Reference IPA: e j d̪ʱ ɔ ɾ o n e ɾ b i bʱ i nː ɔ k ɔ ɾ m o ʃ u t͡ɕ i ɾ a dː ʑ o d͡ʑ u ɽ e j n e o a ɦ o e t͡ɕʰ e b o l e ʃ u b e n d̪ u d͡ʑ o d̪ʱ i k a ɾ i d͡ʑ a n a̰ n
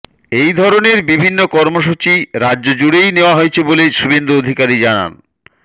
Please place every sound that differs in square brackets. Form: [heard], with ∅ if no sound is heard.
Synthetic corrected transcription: e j d̪ʱ ɔ ɾ o n e ɾ b i bʱ i nː [o] k ɔ ɾ m o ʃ u t͡ɕ i ɾ a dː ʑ o d͡ʑ u ɽ e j n e o a ɦ o e t͡ɕʰ e b o l e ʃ u b e n d̪ u [∅] o d̪ʱ i k a ɾ i d͡ʑ a n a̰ n